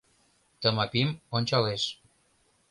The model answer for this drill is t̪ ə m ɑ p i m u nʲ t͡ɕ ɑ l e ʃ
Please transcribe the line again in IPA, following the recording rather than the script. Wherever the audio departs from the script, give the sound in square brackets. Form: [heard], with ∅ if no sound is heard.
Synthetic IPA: t̪ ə m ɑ p i m [o] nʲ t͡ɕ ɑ l e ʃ